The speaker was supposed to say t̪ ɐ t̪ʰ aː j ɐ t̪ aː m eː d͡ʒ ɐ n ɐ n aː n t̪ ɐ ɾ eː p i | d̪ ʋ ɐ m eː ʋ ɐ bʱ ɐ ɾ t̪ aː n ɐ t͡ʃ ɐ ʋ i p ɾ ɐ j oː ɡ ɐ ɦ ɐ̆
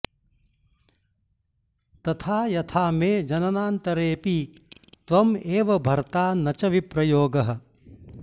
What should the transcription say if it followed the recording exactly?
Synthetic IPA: t̪ ɐ t̪ʰ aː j ɐ t̪ʰ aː m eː d͡ʒ ɐ n ɐ n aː n t̪ ɐ ɾ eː p i | t̪ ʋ ɐ m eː ʋ ɐ bʱ ɐ ɾ t̪ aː n ɐ t͡ʃ ɐ ʋ i p ɾ ɐ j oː ɡ ɐ ɦ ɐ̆